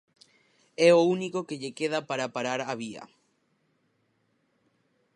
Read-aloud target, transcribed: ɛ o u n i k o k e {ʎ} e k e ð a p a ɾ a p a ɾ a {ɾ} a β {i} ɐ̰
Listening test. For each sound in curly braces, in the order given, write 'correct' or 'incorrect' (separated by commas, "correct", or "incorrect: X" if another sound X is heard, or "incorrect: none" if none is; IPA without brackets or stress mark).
correct, correct, correct